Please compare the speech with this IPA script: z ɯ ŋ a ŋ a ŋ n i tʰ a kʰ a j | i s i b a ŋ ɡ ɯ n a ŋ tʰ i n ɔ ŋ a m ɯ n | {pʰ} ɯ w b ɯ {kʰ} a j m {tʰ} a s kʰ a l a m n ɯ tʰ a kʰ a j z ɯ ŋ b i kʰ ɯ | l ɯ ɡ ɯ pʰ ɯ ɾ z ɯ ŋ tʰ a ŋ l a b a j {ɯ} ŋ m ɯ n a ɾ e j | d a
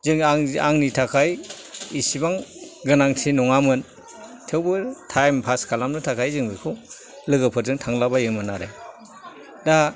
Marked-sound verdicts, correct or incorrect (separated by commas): incorrect, incorrect, incorrect, correct